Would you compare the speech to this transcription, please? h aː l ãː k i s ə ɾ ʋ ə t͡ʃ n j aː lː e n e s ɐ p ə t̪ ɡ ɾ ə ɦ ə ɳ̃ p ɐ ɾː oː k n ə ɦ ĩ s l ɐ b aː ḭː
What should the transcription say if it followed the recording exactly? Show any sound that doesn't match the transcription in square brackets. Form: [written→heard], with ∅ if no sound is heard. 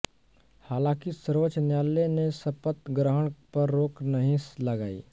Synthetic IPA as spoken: h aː l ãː k i s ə ɾ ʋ ə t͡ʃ n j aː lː e n e s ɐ p ə t̪ ɡ ɾ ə ɦ ə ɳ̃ p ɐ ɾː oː k n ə ɦ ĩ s l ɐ [b→ɡ] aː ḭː